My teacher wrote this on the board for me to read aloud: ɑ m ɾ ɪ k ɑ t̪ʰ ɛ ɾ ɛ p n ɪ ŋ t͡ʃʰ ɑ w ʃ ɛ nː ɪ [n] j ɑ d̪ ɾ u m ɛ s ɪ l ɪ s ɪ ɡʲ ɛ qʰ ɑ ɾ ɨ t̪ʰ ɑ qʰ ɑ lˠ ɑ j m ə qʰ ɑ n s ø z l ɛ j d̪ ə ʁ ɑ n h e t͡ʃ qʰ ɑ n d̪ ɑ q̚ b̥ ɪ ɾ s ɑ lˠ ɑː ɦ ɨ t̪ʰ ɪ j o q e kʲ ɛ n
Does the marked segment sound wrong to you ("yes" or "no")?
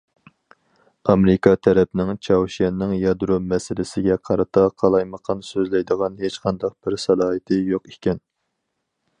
yes